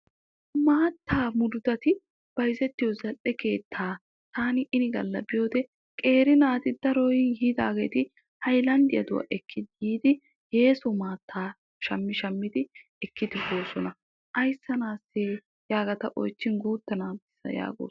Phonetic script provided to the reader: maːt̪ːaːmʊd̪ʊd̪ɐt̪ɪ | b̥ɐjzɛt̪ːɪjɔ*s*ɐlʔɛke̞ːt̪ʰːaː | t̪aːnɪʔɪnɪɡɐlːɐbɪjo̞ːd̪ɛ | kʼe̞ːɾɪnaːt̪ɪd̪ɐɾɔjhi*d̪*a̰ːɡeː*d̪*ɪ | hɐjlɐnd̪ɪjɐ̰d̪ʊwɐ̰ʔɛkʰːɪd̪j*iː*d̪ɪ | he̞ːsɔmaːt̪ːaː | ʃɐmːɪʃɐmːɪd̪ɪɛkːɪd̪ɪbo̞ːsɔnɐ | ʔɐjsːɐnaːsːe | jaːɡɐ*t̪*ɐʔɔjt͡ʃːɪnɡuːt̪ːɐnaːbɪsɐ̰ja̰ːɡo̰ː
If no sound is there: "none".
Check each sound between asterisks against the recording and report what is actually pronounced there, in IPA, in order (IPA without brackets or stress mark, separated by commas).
z, d̪, t̪, iː, t̪